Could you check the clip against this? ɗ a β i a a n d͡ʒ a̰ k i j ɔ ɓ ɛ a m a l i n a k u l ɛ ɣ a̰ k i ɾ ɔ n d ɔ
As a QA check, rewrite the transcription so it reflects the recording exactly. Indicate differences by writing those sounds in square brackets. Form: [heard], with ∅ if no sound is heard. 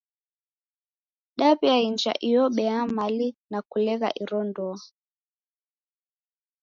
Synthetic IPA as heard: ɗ a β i a [i] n d͡ʒ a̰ [ʔ] i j ɔ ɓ ɛ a m a l i n a k u l ɛ ɣ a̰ [ʔ] i ɾ ɔ n d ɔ